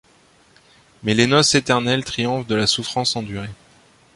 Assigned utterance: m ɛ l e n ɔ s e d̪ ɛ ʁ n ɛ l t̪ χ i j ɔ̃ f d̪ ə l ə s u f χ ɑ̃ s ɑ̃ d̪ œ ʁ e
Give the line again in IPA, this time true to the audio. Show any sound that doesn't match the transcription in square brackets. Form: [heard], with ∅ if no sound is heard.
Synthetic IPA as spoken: m ɛ l e n ɔ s e [t̪] ɛ ʁ n ɛ l t̪ χ i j ɔ̃ f d̪ ə l [a] s u f χ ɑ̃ s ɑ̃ d̪ [y] ʁ e